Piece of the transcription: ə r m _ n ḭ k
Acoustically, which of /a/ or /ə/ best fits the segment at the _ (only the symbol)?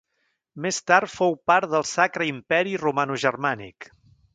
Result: a